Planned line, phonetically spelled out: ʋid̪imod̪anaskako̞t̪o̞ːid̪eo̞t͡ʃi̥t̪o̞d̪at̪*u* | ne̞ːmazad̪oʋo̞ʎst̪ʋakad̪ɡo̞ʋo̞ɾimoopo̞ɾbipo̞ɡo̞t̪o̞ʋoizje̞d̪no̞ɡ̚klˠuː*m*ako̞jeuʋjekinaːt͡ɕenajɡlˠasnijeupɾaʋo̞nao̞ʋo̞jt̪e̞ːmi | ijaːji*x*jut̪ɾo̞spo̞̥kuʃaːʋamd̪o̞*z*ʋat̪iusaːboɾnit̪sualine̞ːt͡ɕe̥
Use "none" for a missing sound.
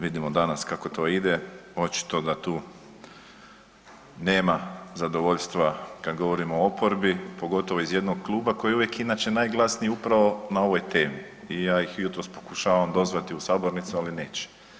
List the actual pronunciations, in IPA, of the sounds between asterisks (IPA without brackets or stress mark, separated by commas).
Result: uː, b, x, z